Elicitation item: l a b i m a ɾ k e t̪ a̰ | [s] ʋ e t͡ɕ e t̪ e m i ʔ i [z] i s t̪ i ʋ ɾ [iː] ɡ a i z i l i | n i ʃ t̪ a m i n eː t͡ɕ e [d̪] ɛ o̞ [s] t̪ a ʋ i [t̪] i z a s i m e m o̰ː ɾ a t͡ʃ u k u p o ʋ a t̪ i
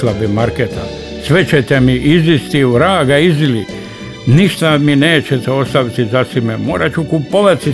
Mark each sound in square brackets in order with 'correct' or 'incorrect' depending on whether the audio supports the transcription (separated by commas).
correct, correct, incorrect, incorrect, correct, correct